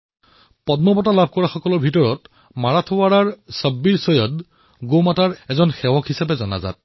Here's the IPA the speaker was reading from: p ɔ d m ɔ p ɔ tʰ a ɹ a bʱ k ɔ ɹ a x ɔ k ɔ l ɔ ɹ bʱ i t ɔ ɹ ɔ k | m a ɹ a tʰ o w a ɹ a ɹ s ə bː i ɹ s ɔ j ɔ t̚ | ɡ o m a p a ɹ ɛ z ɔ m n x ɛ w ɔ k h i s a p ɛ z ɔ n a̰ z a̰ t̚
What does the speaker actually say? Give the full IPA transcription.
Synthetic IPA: p ɔ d m ɔ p ɔ t a l a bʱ k ɔ ɹ a x ɔ k ɔ l ɔ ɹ bʱ i t ɔ ɹ ɔ t | m a ɹ a tʰ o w a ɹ a ɹ s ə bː i ɹ s ɔ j ɔ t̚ | ɡ o m a t a ɹ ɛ z ɔ n x ɛ w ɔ k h i s a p ɛ z ɔ n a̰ z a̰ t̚